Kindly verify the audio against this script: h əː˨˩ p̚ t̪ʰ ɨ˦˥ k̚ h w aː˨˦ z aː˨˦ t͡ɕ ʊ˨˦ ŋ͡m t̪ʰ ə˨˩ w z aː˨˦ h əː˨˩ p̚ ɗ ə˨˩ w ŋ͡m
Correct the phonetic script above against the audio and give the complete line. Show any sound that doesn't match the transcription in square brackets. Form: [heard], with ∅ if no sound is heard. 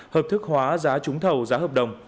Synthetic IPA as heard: h əː˨˩ p̚ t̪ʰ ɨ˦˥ k̚ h w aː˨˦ z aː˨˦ t͡ɕ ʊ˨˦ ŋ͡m t̪ʰ ə˨˩ w z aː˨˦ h əː˨˩ p̚ ɗ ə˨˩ w ŋ͡m